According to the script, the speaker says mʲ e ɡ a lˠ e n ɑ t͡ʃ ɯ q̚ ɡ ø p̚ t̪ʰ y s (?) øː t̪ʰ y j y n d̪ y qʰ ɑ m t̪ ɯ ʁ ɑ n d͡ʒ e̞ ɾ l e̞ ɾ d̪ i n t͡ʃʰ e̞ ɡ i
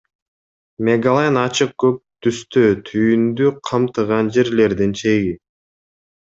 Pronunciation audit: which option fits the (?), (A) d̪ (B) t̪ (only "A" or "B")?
B